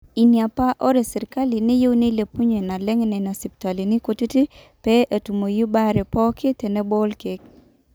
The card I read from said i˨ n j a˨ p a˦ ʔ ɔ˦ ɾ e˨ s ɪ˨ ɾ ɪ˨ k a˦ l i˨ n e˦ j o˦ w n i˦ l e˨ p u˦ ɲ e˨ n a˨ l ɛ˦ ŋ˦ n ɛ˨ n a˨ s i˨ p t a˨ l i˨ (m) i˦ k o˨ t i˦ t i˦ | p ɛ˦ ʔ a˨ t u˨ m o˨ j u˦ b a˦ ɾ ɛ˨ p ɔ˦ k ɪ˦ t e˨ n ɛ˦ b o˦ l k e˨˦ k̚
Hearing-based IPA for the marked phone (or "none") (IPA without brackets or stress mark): n